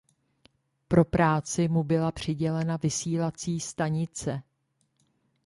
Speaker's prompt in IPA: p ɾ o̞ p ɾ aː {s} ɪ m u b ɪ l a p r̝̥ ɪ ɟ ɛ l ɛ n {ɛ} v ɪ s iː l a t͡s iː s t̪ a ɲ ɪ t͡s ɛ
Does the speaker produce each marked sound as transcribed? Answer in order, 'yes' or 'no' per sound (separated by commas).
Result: no, no